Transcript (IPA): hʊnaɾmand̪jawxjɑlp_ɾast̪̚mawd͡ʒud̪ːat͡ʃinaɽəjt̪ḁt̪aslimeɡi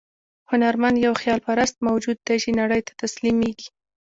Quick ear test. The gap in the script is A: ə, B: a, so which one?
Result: B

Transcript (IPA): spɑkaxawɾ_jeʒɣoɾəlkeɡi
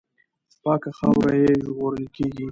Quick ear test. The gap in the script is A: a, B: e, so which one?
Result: A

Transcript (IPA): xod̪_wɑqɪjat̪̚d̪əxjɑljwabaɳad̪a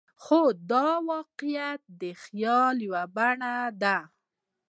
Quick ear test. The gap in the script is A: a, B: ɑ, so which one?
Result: B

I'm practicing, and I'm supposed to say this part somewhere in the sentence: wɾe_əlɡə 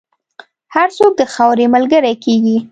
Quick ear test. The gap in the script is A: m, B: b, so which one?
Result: A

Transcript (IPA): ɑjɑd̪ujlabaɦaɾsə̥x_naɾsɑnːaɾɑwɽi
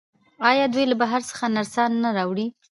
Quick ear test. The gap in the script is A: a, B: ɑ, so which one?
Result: A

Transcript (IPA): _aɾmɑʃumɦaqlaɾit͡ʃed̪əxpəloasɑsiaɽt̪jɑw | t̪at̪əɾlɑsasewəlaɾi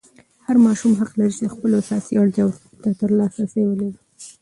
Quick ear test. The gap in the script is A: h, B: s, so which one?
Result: A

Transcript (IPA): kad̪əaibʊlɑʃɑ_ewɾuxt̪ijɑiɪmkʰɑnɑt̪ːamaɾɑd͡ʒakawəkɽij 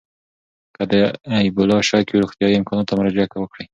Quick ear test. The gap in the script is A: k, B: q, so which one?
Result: A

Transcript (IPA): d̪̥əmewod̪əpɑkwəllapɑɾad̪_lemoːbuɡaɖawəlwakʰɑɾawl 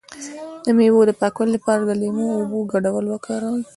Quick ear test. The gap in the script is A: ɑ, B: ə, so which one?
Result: B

